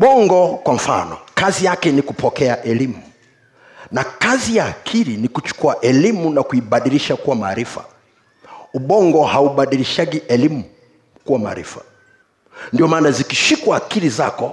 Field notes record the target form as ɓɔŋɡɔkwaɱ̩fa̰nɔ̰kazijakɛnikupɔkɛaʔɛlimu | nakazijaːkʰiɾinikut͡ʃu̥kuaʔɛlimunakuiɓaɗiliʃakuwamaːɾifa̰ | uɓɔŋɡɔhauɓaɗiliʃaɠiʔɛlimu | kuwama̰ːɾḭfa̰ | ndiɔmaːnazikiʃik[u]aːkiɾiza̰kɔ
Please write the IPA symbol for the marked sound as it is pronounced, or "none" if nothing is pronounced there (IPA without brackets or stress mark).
w